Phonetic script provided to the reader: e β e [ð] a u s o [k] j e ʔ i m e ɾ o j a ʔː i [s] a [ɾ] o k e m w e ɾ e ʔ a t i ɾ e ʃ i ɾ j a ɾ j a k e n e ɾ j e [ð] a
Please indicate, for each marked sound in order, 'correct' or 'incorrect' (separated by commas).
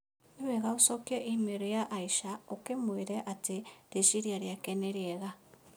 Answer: incorrect, correct, incorrect, incorrect, incorrect